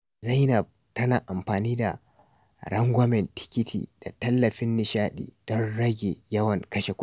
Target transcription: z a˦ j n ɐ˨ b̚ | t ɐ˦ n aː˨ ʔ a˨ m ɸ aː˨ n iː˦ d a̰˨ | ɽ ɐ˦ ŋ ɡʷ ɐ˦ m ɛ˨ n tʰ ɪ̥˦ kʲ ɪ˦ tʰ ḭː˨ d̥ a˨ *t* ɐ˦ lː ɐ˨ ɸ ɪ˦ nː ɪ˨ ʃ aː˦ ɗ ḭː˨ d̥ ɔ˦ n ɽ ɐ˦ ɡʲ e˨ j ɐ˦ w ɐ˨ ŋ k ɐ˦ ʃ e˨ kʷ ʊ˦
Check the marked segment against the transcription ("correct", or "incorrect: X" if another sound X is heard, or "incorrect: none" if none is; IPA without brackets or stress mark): correct